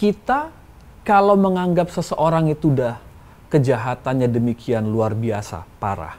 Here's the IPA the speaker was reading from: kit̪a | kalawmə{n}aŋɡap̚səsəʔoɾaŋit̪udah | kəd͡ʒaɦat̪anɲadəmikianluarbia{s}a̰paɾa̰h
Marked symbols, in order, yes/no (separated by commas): no, yes